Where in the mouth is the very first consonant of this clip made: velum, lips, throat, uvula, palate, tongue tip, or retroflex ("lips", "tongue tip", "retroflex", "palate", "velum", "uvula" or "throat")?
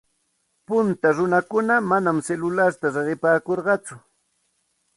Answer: lips